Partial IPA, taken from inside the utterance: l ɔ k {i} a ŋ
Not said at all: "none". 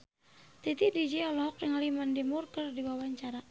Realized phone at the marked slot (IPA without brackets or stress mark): j